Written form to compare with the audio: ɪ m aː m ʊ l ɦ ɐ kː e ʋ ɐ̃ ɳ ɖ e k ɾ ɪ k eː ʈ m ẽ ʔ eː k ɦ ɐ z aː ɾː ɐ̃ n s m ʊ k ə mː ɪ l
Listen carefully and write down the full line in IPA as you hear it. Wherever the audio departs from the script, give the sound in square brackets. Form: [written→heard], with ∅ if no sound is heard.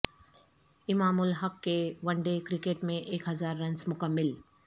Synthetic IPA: ɪ m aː m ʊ l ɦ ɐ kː e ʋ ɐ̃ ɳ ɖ e k ɾ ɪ k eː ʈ m ẽ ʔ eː k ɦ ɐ z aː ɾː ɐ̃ n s m ʊ k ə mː ɪ l